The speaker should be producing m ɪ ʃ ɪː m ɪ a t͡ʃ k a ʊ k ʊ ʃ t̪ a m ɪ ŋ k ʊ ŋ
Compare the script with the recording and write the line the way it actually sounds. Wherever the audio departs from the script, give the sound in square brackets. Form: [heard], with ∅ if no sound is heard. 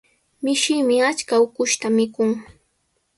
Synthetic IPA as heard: m ɪ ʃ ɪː m ɪ a t͡ʃ k a ʊ k ʊ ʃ t̪ a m ɪ [∅] k ʊ ŋ